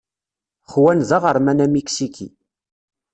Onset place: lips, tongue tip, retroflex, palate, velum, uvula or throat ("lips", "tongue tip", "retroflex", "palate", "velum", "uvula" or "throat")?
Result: uvula